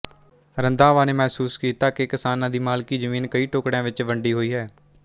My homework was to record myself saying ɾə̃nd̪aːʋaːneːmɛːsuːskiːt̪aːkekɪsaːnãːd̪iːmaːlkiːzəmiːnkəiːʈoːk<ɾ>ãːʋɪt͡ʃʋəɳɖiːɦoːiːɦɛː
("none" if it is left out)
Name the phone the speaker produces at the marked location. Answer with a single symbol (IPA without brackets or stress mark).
ɽ